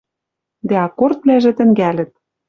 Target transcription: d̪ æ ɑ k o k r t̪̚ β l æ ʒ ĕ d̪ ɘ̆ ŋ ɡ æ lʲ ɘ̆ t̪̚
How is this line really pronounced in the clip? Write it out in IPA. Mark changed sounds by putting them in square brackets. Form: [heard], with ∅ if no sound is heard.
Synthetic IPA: d̪ æ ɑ k o [∅] r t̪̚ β l æ ʒ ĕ [t̪] ɘ̆ ŋ ɡ æ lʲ ɘ̆ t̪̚